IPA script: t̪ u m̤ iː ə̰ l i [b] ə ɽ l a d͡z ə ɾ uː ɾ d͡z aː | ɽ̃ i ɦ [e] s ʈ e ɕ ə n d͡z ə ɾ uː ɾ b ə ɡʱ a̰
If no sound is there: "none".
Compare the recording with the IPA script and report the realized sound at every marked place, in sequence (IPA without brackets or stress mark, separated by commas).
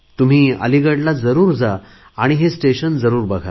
ɡ, e